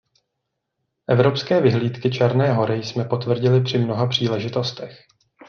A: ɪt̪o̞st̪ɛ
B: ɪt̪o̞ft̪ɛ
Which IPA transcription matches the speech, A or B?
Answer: A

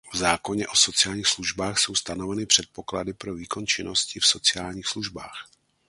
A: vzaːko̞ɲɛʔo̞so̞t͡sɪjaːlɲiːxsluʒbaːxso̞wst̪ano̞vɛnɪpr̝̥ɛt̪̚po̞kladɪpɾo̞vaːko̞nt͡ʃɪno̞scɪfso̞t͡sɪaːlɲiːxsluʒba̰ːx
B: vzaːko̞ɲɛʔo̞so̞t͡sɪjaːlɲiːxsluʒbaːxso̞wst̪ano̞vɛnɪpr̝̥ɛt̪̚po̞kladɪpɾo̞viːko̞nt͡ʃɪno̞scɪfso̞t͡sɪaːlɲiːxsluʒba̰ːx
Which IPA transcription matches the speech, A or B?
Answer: B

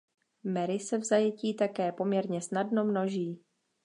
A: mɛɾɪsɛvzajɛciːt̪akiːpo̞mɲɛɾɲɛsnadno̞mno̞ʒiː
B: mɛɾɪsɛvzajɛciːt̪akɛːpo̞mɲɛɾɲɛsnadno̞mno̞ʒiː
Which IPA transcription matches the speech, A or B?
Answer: B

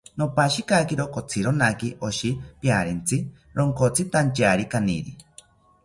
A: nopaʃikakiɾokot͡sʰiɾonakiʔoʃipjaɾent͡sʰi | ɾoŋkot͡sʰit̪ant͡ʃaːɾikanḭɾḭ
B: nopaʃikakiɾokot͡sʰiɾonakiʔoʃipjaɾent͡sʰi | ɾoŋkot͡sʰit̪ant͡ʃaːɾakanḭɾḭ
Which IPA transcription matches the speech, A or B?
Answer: A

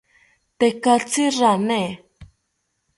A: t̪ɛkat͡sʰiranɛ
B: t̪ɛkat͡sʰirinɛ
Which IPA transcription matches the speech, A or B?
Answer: A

